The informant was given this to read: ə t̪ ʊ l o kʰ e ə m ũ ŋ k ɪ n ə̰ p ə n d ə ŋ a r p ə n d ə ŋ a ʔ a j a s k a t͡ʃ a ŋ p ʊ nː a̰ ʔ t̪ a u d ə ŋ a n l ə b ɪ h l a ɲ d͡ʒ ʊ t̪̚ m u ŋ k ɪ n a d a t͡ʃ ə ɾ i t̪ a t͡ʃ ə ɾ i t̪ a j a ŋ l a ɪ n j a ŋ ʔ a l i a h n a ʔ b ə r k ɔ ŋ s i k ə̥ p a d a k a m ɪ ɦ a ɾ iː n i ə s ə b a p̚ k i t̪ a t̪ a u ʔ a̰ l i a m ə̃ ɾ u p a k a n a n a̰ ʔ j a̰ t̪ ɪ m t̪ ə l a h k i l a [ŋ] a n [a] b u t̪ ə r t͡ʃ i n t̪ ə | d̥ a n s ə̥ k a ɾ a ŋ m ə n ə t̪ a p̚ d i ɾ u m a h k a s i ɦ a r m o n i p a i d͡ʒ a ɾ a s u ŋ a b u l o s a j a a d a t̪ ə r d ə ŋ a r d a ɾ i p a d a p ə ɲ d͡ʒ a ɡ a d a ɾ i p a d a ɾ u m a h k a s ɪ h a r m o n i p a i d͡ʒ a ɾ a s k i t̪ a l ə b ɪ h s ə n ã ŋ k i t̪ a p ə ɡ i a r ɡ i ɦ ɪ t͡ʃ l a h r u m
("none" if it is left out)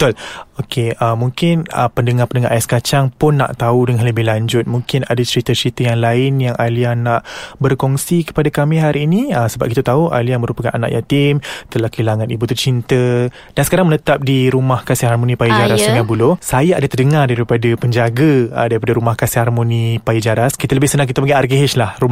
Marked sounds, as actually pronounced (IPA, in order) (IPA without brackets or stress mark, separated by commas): ŋ, i